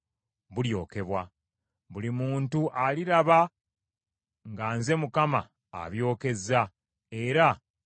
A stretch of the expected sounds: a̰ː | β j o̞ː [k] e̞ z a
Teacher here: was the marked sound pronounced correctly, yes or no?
yes